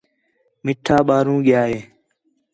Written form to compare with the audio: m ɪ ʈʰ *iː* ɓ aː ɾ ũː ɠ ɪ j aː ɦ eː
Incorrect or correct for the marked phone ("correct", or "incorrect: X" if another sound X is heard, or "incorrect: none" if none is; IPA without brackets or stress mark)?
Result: incorrect: aː